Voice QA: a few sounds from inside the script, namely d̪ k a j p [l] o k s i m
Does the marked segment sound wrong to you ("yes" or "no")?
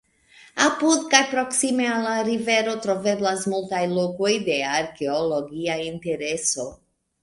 yes